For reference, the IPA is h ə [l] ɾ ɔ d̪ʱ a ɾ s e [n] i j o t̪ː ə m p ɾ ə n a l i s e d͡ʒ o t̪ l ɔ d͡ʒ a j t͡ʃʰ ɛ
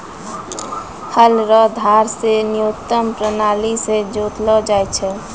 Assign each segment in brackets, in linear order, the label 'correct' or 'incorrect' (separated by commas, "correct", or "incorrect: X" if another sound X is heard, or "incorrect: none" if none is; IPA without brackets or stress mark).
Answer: correct, correct